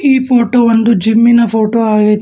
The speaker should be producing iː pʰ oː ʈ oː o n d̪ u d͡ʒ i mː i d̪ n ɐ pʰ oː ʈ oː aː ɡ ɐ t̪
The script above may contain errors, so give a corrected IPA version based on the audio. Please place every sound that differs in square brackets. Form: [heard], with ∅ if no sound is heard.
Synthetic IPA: iː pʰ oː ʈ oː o n d̪ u d͡ʒ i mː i [∅] n ɐ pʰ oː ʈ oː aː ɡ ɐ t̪